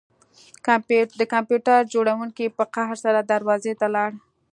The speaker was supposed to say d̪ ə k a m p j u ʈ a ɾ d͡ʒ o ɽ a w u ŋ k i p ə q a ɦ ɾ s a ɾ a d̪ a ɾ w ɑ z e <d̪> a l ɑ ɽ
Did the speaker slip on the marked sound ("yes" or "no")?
yes